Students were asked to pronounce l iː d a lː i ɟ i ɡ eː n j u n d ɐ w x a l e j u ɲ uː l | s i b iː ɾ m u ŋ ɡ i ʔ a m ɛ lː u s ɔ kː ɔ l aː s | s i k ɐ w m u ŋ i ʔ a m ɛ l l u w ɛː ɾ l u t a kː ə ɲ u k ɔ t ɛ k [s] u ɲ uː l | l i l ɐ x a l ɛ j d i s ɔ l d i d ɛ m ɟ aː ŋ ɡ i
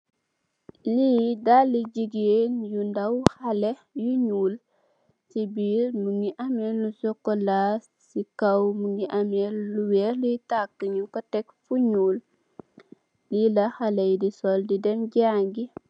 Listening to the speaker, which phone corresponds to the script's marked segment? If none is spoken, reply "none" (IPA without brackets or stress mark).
f